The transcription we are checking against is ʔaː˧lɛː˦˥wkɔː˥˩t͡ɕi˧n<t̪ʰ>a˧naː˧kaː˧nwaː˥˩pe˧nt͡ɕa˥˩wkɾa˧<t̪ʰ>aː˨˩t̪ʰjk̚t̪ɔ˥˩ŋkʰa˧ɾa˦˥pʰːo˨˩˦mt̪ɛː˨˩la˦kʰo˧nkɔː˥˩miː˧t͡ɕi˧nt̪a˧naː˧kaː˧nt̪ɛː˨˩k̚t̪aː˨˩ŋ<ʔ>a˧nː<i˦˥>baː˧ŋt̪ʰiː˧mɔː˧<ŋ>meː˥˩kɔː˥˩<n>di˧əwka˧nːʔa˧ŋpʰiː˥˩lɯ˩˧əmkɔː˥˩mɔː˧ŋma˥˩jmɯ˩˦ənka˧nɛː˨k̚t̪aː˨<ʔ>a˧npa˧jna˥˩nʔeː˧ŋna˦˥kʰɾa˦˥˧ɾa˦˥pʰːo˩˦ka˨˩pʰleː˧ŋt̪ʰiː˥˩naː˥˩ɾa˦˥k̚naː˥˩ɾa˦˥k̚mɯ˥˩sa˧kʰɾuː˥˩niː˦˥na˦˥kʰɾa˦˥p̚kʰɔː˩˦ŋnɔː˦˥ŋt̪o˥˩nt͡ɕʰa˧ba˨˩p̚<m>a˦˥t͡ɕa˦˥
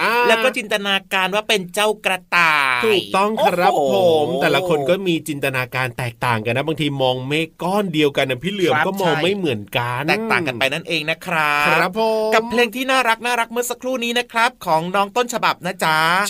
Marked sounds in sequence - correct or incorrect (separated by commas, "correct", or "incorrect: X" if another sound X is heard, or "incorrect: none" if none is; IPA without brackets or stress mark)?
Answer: incorrect: t̪, incorrect: t̪, incorrect: k, incorrect: a˦˥, correct, correct, incorrect: k, incorrect: n